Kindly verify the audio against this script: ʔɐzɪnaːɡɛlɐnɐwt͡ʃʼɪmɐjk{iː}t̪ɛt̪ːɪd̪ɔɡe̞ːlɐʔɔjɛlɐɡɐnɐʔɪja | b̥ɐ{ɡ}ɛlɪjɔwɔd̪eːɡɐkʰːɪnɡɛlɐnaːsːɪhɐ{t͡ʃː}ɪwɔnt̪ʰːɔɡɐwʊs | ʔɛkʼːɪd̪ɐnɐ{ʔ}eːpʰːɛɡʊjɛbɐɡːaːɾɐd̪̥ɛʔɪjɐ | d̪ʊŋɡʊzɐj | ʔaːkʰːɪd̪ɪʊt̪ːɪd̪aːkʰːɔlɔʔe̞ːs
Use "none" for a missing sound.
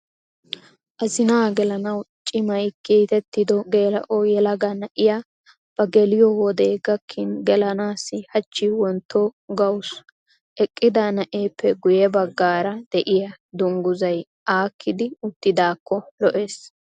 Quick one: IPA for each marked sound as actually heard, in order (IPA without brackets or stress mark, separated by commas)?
iː, ɡ, t͡ʃː, ʔ